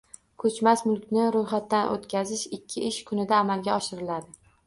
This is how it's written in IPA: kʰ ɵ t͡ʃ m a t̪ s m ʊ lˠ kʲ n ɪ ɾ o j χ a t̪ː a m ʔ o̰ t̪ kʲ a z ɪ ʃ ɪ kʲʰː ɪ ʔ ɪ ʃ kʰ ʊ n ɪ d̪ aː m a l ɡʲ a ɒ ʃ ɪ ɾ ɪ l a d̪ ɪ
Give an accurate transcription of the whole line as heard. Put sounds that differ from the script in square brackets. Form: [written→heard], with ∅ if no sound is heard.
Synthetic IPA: kʰ ɵ t͡ʃ m a [t̪→∅] s m ʊ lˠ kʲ n ɪ ɾ o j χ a t̪ː a [m→n] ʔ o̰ t̪ kʲ a z ɪ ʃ ɪ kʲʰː ɪ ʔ ɪ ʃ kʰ ʊ n ɪ d̪ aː m a l ɡʲ a ɒ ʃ ɪ ɾ ɪ l a d̪ ɪ